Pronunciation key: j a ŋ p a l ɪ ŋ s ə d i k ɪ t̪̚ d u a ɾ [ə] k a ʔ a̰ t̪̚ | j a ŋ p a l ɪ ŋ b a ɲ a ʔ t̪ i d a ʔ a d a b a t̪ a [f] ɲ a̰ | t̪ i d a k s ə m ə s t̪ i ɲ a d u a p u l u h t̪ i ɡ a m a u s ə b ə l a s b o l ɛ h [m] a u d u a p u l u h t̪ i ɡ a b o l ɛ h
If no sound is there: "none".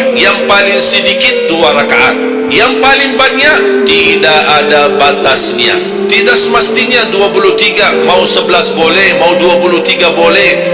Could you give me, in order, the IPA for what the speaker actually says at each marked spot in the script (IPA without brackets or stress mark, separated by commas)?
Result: a, s, m